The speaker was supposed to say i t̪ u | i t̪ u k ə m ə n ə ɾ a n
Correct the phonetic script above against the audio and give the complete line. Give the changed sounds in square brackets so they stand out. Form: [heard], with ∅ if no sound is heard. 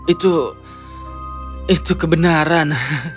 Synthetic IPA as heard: i t̪ u | i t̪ u k ə [b] ə n [a] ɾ a n